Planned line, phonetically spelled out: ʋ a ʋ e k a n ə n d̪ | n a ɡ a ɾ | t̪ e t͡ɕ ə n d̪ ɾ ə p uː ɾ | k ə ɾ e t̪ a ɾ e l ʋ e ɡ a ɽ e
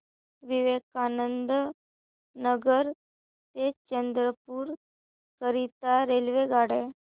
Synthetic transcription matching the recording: ʋ i ʋ e k a n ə n d̪ | n ə ɡ ə ɾ | t̪ e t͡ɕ ə n d̪ ɾ ə p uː ɾ | k ə ɾ i t̪ a ɾ e l ʋ e ɡ a ɽ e